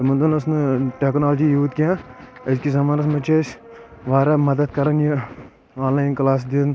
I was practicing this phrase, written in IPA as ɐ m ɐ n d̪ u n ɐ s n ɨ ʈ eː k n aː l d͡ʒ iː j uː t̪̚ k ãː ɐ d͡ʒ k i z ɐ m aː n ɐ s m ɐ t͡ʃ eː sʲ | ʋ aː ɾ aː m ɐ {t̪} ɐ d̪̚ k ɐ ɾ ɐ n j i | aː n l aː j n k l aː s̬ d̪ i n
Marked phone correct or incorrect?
incorrect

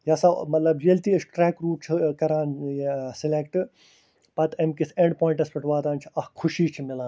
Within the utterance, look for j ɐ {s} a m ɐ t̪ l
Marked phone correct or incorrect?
correct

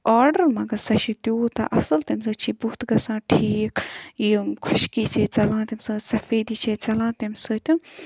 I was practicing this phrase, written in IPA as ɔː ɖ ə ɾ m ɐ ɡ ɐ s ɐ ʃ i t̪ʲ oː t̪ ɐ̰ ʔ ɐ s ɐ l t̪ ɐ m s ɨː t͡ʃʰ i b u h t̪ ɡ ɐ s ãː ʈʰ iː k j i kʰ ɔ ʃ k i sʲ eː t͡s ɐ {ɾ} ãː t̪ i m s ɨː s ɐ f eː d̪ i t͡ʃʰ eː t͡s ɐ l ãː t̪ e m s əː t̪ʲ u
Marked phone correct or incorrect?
incorrect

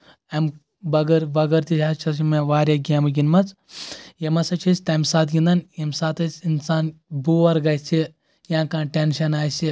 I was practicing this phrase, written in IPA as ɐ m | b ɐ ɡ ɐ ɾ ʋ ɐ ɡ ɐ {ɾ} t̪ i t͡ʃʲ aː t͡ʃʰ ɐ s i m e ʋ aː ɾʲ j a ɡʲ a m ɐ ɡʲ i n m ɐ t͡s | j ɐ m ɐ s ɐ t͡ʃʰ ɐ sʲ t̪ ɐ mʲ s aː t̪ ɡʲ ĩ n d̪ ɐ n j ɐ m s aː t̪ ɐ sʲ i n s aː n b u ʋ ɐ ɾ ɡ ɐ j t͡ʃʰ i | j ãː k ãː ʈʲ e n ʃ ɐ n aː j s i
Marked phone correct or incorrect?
correct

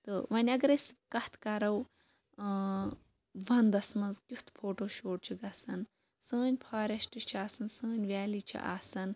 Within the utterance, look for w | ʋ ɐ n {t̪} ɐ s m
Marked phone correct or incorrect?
incorrect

